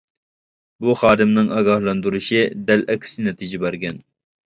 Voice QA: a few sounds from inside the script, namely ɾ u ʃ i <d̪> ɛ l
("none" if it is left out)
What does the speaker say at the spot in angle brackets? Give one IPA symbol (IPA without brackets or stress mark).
d̪